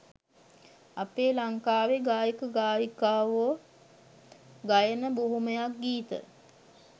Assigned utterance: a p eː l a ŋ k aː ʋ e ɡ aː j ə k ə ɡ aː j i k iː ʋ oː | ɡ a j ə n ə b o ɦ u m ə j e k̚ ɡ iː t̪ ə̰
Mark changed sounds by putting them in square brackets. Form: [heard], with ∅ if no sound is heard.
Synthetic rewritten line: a p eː l a ŋ k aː ʋ e ɡ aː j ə k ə ɡ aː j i k [aː] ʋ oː | ɡ a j ə n ə b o ɦ u m ə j [a] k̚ ɡ iː t̪ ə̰